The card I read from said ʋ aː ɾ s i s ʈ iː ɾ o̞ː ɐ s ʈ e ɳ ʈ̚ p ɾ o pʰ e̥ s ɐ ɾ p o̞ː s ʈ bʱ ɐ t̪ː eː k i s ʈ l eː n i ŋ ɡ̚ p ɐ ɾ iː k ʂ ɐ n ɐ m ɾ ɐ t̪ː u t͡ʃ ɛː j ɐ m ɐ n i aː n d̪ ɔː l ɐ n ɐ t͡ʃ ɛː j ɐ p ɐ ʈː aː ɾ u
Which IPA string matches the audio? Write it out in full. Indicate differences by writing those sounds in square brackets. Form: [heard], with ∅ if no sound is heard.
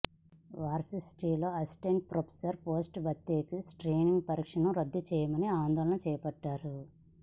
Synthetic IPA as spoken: ʋ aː ɾ s i s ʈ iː [l] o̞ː ɐ s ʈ e ɳ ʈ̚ p ɾ o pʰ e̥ s ɐ ɾ p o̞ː s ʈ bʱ ɐ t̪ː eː k i s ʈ [ɾ] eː n i ŋ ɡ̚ p ɐ ɾ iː k ʂ ɐ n ɐ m ɾ ɐ [d̪ː] u t͡ʃ ɛː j ɐ m ɐ n i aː n d̪ ɔː l ɐ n ɐ t͡ʃ ɛː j ɐ p ɐ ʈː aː ɾ u